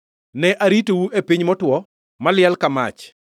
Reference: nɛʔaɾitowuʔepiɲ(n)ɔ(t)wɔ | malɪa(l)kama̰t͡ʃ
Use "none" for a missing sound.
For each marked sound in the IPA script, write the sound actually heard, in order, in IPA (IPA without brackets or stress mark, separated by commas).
m, t, l